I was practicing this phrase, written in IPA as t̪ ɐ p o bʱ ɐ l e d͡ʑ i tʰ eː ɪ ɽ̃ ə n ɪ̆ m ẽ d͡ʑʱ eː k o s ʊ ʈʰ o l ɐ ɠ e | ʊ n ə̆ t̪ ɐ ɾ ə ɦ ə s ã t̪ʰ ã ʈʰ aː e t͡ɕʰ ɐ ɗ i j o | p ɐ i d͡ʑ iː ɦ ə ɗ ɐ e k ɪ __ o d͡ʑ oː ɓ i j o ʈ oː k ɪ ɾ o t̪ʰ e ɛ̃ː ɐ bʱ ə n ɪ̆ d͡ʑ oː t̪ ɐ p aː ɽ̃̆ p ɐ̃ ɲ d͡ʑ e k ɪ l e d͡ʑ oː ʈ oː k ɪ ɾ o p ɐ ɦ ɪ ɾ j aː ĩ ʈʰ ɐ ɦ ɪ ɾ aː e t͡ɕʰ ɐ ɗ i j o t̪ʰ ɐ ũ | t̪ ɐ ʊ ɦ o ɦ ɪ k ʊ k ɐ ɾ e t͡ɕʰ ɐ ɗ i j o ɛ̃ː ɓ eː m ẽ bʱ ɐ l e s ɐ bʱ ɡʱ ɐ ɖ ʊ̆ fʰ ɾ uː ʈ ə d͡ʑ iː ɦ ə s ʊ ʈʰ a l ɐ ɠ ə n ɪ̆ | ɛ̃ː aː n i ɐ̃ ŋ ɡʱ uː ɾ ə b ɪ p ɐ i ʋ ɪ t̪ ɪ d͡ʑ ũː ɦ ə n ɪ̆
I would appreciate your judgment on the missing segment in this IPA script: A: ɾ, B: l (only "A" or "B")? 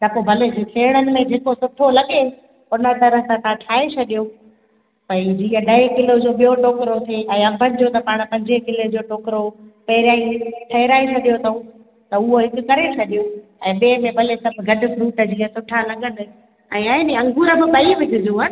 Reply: B